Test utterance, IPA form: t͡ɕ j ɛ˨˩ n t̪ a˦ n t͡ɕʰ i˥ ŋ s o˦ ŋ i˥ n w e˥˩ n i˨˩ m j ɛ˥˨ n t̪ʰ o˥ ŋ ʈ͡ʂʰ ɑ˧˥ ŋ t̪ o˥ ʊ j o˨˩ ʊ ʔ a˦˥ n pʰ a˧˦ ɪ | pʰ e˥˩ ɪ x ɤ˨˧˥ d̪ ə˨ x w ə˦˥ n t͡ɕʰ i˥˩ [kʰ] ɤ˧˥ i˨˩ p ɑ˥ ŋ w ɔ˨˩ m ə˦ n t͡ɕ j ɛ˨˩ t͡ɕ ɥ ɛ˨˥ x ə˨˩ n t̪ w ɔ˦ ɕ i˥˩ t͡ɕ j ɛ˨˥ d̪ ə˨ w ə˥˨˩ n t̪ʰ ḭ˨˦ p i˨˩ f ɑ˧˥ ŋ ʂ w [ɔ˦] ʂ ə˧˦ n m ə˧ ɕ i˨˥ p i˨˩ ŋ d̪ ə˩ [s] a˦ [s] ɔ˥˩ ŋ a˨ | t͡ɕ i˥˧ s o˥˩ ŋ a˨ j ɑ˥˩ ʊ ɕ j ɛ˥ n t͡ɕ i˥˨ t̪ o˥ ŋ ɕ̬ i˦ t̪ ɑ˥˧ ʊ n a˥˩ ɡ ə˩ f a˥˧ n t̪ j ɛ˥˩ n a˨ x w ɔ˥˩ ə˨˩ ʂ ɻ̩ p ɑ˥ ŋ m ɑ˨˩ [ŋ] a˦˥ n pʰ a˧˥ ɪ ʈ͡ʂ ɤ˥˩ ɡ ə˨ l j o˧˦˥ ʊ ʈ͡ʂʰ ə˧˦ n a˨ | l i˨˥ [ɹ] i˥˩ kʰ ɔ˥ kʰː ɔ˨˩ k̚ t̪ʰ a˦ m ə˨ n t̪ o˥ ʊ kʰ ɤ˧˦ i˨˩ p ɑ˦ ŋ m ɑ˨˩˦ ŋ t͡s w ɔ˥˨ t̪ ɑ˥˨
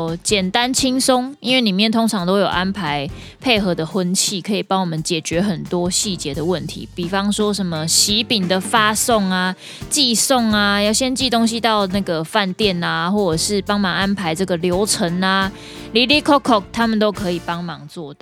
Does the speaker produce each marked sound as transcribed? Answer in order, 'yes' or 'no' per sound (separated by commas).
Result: yes, yes, no, yes, yes, no